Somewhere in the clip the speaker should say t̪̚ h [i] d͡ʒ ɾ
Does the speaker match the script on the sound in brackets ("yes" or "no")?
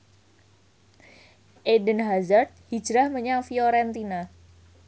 yes